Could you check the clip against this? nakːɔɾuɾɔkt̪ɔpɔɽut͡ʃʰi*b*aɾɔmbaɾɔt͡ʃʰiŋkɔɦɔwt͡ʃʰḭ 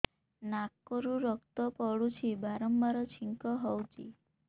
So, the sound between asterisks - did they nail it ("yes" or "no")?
yes